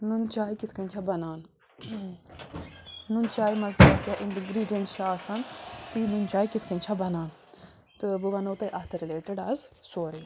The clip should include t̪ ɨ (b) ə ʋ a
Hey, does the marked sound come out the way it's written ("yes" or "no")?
yes